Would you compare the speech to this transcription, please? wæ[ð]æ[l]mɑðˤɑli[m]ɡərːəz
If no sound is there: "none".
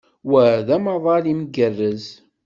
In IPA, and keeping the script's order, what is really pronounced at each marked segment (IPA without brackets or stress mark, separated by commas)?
ð, none, m